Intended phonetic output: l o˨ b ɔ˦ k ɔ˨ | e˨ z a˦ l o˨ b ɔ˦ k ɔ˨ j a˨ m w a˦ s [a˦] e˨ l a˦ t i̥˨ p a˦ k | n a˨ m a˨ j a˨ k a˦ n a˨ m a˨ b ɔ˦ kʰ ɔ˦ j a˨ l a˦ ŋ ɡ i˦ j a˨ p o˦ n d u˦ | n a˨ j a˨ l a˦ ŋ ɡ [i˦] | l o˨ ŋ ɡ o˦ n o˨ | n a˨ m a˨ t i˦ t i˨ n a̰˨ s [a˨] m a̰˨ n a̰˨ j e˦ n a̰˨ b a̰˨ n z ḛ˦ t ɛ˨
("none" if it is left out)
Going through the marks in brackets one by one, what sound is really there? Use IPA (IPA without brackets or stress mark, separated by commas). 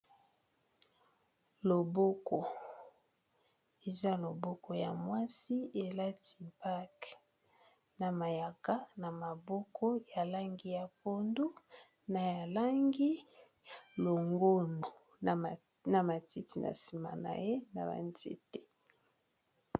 i˦, i˦, i˨